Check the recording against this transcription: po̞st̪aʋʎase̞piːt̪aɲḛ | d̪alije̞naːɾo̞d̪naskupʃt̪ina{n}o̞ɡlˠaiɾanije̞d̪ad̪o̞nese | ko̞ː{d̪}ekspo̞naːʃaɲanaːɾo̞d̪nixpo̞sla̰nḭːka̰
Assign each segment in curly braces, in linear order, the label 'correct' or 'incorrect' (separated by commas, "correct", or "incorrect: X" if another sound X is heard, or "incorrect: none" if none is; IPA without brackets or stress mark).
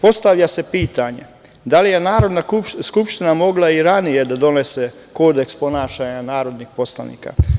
incorrect: m, correct